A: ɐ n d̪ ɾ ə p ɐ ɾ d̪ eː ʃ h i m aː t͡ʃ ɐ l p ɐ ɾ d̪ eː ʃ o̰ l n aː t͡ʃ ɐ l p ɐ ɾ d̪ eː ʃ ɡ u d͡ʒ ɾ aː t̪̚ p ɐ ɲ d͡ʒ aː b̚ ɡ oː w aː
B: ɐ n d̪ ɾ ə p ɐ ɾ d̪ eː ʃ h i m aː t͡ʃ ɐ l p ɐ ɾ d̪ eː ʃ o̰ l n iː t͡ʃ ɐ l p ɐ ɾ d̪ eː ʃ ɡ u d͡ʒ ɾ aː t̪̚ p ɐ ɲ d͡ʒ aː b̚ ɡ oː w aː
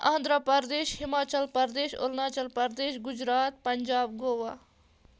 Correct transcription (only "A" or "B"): A